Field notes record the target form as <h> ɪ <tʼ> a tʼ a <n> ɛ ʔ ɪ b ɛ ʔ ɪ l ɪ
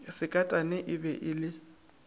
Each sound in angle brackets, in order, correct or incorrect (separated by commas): incorrect, incorrect, correct